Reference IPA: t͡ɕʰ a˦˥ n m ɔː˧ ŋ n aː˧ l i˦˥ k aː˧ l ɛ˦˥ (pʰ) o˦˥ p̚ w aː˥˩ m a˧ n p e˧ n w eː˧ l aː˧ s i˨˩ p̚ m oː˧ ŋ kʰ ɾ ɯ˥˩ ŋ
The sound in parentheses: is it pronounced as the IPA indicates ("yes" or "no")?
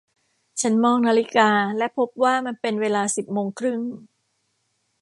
yes